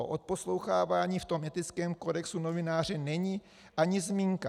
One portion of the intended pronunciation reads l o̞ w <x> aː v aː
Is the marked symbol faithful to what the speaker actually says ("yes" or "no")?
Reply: yes